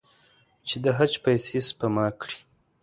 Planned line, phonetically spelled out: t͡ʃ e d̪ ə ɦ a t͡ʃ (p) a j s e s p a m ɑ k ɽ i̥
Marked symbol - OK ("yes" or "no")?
yes